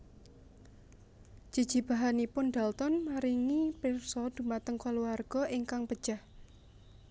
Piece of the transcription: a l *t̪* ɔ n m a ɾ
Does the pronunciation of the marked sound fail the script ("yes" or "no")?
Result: no